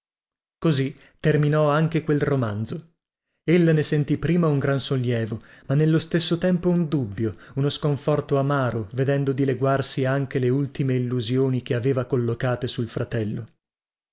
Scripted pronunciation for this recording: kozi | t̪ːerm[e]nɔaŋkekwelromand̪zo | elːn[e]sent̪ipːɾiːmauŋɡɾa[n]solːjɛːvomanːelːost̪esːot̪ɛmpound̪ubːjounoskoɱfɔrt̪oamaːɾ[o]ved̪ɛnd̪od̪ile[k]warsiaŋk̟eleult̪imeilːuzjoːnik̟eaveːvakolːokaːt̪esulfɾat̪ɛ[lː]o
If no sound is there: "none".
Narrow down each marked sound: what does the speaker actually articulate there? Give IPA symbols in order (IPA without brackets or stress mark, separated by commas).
i, e, n, o, ɡ, lː